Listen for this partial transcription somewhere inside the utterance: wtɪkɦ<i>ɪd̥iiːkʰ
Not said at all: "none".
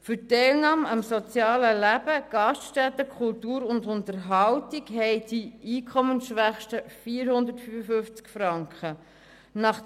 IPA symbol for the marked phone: ɛ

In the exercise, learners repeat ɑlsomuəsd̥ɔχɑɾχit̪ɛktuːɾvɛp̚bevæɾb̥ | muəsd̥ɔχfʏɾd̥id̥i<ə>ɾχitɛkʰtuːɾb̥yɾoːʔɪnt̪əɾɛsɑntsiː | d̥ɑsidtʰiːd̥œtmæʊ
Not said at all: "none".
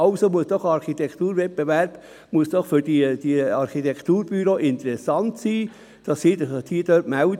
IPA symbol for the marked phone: ɑ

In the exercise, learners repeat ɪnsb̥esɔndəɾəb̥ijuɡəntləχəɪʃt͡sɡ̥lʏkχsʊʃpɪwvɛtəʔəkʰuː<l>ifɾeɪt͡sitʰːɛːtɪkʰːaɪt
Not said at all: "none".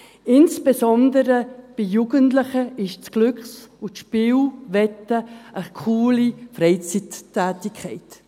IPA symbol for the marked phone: l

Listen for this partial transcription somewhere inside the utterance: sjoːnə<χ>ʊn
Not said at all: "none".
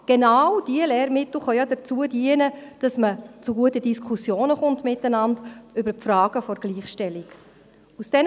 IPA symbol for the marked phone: χ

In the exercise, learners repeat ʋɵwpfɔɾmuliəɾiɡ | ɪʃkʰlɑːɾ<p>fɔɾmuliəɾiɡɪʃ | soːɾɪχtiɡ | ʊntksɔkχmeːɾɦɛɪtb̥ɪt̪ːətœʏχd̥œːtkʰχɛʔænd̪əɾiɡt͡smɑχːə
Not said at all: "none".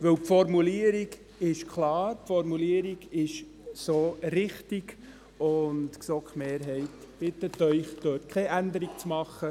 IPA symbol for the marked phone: p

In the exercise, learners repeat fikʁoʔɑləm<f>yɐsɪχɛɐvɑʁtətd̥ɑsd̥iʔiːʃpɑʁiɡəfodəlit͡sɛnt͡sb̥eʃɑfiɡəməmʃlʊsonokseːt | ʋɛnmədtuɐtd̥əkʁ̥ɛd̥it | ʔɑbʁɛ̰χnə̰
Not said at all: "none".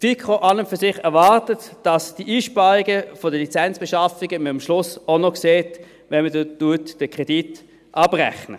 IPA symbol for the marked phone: f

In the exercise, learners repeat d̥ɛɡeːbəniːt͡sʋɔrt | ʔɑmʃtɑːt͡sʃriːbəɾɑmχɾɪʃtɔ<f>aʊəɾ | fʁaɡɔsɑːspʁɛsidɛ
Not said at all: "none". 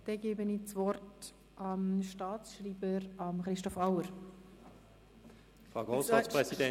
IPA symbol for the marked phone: f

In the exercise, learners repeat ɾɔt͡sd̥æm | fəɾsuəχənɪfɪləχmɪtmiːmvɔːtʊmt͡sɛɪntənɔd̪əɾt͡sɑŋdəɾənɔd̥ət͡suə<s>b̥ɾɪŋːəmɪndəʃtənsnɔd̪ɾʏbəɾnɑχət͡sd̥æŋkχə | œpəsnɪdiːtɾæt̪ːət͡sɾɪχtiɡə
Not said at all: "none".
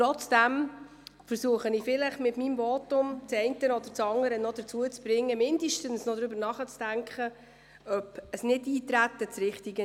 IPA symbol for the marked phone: t͡s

